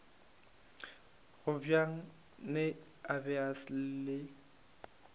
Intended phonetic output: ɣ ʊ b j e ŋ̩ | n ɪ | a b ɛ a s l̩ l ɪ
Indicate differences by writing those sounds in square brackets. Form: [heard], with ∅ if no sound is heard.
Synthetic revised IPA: ɣ ʊ b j [a] ŋ̩ | n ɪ | a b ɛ a s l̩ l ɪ